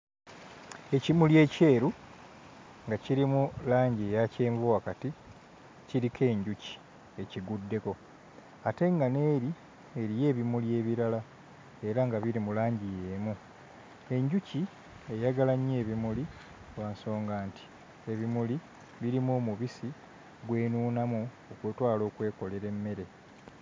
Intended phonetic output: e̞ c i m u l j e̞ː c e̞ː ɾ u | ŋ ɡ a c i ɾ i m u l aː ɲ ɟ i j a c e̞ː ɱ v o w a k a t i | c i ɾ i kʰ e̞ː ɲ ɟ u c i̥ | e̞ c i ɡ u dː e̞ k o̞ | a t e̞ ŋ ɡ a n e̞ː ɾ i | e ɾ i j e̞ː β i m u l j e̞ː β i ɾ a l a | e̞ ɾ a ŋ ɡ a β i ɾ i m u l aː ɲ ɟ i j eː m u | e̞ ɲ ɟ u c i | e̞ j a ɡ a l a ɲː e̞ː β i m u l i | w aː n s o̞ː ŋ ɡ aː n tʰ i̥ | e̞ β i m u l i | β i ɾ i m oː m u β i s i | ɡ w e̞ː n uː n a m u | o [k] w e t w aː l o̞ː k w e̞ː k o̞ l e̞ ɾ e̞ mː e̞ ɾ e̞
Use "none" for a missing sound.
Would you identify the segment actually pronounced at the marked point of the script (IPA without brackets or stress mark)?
k